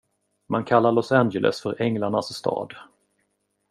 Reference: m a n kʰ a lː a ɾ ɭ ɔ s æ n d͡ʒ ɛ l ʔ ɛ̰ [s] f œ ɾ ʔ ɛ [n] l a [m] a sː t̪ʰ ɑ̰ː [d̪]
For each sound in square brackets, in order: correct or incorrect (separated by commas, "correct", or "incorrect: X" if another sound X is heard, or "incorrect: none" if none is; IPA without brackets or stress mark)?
correct, incorrect: ŋ, incorrect: ɳ, correct